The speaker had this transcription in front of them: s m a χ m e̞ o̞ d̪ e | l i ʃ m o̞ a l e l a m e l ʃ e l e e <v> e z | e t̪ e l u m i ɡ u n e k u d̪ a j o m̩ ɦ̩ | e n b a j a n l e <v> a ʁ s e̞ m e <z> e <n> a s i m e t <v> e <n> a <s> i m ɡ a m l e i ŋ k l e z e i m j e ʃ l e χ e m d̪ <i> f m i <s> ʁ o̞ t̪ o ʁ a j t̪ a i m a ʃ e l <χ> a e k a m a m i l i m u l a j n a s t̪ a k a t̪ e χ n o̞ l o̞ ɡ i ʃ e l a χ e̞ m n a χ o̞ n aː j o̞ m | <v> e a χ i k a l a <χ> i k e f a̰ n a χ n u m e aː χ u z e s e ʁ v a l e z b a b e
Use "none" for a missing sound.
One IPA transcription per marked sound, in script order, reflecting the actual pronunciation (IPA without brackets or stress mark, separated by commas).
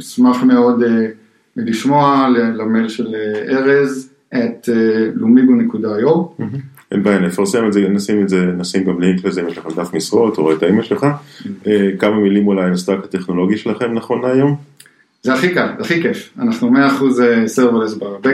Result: ʁ, f, z, n, z, n, s, a, s, χ, z, χ